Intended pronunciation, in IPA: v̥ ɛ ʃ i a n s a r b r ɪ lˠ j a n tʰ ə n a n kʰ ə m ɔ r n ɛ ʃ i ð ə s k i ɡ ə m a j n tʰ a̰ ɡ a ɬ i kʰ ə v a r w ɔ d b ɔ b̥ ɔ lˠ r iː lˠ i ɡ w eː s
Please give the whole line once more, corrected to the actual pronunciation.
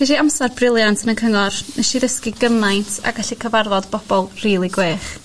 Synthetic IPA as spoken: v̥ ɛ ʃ i a m s a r b r ɪ lˠ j a n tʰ ə n ə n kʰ ə ŋ ɔ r n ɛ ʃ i ð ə s k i ɡ ə m a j n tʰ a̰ ɡ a ɬ i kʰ ə v a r v ɔ d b ɔ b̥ ɔ lˠ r iː lˠ i ɡ w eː χ